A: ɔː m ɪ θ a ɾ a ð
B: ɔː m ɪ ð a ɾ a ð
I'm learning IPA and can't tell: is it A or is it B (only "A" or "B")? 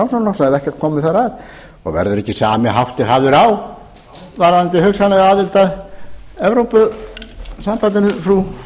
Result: A